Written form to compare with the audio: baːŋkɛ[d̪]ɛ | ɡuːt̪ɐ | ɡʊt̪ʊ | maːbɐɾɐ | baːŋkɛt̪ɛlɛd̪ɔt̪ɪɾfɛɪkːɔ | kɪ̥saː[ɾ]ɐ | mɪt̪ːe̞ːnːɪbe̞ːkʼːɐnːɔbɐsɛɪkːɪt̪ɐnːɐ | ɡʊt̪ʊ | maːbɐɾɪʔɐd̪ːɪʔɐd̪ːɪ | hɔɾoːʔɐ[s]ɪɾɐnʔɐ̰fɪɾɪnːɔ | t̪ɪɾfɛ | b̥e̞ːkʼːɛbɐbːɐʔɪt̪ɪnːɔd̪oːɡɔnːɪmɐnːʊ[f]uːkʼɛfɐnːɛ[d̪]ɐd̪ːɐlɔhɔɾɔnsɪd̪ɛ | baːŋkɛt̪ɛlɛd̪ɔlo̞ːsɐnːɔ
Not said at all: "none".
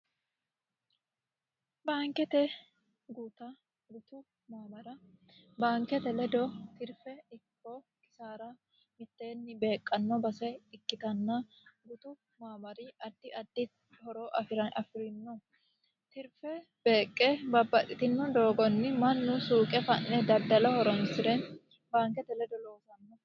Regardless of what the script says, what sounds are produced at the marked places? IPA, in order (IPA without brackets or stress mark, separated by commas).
t̪, ɾ, f, s, d̪